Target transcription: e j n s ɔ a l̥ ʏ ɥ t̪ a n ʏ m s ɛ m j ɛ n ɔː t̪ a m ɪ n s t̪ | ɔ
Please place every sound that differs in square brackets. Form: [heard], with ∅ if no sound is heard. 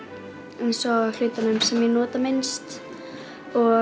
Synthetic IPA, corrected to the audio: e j n s ɔ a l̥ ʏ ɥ t̪ a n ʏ m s ɛ m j ɛ n ɔː t̪ a m ɪ n s t̪ | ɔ